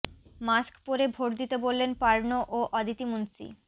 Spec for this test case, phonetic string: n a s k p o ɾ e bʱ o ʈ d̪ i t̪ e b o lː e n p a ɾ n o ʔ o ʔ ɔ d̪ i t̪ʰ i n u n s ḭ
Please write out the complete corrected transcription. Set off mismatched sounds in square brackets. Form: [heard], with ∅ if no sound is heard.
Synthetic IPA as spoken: [m] a s k p o ɾ e bʱ o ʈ d̪ i t̪ e b o lː e n p a ɾ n o ʔ o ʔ ɔ d̪ i [t̪] i [m] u n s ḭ